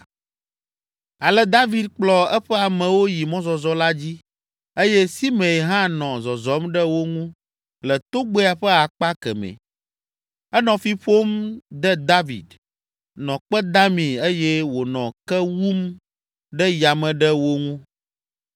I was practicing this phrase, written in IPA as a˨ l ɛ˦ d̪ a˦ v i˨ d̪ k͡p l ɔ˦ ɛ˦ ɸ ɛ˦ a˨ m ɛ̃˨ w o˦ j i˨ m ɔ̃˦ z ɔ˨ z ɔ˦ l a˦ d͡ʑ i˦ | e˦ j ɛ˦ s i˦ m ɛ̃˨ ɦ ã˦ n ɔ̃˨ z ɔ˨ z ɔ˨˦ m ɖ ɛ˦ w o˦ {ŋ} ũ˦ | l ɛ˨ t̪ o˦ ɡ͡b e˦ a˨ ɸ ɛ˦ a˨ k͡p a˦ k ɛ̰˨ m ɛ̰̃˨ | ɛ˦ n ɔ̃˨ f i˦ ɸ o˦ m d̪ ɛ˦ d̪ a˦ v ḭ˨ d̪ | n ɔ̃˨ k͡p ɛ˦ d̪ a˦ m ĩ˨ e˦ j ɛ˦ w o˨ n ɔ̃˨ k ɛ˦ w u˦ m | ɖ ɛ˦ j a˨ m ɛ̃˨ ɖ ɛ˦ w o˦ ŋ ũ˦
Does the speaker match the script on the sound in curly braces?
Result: yes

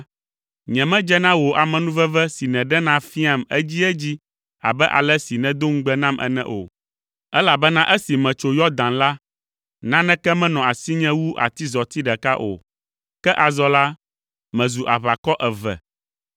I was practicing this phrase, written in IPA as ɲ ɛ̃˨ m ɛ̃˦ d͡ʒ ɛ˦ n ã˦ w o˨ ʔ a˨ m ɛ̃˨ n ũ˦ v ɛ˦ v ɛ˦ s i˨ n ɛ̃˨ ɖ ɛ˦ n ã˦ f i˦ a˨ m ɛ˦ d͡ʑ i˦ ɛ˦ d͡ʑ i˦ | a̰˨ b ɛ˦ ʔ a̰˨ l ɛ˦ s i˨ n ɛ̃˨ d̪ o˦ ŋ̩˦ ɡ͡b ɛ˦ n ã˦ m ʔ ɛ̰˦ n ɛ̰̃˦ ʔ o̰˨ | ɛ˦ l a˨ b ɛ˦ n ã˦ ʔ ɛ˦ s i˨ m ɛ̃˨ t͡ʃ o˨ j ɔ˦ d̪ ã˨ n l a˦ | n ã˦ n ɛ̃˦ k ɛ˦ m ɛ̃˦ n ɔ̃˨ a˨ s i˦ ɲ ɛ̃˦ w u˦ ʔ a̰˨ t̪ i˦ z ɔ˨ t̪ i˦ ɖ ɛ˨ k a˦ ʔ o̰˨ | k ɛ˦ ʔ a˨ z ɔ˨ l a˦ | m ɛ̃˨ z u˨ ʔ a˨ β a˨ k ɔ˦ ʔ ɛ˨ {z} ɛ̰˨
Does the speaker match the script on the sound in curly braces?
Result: no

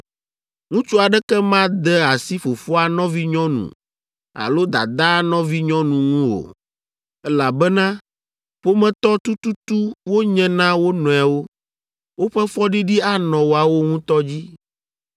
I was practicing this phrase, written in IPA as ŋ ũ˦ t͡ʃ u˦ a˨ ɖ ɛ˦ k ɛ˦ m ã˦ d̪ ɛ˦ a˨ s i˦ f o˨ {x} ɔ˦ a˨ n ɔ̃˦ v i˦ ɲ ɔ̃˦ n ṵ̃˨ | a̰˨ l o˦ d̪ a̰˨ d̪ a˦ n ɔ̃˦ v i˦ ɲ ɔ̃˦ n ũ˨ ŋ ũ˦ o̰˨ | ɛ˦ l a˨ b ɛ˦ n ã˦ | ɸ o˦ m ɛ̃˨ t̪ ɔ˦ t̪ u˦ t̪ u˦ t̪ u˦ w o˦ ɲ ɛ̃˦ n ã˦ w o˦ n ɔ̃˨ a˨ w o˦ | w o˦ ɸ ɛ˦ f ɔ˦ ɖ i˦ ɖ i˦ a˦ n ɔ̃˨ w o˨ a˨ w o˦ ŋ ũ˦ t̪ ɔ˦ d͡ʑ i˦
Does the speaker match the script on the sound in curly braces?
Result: no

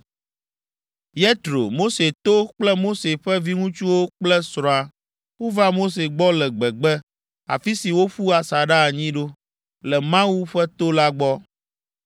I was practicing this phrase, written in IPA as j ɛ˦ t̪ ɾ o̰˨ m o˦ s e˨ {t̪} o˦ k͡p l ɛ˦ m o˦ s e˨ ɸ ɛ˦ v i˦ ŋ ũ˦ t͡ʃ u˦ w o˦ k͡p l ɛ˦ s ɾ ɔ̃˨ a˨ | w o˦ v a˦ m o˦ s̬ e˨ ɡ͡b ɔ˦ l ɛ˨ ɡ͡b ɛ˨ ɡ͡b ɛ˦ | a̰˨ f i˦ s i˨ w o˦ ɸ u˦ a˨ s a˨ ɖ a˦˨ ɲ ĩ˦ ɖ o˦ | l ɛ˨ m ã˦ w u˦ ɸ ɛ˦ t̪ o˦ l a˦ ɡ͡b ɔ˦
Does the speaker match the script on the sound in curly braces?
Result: yes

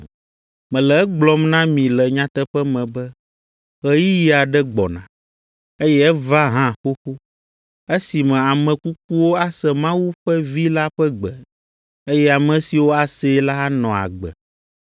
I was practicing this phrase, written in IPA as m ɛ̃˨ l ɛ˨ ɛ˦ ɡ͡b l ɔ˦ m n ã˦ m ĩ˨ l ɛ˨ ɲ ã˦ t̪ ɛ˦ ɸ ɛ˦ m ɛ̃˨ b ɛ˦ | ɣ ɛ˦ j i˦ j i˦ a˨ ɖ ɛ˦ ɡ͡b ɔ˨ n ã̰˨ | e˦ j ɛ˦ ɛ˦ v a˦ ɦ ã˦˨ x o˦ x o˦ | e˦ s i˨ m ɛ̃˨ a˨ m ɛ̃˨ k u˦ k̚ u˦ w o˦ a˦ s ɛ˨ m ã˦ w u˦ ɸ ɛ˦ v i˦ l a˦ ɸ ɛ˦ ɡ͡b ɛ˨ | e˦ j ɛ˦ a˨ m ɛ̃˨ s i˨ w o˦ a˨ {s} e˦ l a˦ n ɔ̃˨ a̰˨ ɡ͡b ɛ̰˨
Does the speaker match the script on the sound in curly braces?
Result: yes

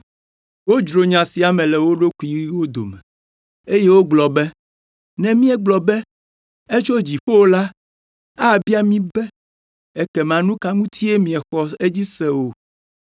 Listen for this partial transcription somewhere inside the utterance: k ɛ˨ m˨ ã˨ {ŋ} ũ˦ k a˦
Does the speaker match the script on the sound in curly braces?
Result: no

